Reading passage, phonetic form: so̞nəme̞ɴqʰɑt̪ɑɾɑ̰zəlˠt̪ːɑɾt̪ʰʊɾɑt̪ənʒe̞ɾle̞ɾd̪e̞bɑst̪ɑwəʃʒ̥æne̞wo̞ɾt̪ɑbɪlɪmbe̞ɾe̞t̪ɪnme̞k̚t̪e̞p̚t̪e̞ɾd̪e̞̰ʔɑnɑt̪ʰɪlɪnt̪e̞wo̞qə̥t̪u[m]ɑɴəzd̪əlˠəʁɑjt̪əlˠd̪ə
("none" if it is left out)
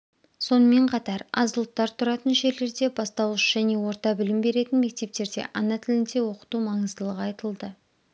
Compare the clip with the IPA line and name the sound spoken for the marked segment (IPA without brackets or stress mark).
m